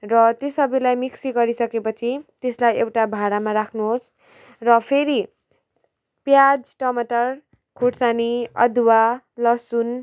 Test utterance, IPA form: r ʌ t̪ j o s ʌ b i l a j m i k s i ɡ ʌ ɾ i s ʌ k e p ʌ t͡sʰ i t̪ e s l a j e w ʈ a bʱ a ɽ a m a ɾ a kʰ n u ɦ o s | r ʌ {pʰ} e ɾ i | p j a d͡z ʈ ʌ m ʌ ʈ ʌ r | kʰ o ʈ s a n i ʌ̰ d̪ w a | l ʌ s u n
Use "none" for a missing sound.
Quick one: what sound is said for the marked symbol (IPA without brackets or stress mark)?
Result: pʰ